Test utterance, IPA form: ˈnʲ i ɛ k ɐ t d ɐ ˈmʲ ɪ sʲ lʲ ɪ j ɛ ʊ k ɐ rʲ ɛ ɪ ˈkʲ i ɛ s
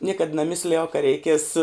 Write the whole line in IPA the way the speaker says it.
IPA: ˈnʲ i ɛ k ɐ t n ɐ ˈmʲ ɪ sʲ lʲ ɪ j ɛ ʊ k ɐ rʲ ɛ ɪ ˈkʲ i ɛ s